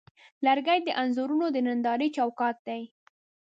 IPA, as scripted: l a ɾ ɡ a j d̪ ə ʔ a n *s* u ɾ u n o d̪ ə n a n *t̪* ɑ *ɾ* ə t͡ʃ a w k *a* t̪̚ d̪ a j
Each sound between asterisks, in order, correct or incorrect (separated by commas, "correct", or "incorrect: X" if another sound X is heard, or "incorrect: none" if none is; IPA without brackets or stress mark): incorrect: z, incorrect: d̪, correct, incorrect: ɑ